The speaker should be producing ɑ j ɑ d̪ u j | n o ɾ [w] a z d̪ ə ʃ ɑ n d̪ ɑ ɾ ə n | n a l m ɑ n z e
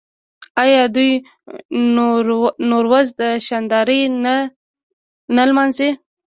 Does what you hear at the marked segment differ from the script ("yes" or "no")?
no